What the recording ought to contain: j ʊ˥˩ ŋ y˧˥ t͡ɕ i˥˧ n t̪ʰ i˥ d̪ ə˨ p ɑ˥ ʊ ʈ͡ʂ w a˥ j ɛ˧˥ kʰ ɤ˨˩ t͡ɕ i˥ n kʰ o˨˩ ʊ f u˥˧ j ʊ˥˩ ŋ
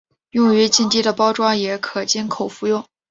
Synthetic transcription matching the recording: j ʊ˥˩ ŋ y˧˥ t͡ɕ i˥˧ n t̪ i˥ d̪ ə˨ p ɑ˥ ʊ ʈ͡ʂ w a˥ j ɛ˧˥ kʰ ɤ˨˩ t͡ɕ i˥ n kʰ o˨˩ ʊ f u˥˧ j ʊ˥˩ ŋ